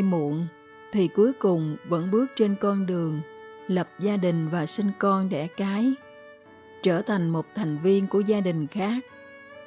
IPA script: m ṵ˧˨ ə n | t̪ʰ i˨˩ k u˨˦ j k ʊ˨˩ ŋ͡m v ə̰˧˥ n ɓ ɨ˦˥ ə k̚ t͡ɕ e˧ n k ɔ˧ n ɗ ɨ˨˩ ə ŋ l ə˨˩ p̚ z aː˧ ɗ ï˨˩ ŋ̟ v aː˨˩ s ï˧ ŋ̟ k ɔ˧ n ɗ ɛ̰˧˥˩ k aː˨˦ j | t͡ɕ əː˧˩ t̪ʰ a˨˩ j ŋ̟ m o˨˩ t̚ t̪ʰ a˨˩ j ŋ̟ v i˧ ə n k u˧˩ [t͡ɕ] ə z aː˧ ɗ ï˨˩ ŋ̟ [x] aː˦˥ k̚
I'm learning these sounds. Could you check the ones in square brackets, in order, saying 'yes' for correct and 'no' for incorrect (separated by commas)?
no, yes